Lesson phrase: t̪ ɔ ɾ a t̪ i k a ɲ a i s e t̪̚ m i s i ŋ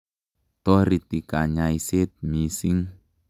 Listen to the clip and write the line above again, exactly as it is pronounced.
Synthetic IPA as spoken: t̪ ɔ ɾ i t̪ i k a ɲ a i s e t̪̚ m i s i ŋ